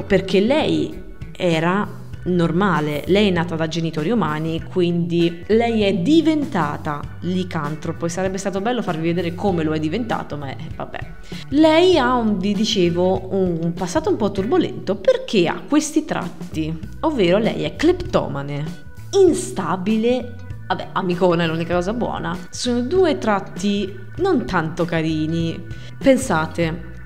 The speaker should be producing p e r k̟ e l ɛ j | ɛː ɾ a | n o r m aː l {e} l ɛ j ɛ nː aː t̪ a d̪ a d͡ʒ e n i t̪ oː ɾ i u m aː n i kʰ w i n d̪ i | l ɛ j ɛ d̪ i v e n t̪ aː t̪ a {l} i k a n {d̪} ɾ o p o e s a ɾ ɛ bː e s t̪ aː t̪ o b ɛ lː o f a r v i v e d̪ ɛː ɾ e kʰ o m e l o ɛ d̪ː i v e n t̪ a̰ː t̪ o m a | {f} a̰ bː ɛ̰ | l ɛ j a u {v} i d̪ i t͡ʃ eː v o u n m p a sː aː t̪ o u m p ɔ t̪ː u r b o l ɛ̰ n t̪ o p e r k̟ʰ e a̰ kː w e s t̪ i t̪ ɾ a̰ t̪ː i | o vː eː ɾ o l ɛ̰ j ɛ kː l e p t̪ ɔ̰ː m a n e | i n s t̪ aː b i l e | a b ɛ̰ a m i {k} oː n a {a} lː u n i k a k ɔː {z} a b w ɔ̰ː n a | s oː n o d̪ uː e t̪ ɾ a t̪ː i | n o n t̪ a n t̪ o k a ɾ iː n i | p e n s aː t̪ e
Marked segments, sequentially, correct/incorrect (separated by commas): correct, correct, incorrect, incorrect, correct, correct, incorrect, correct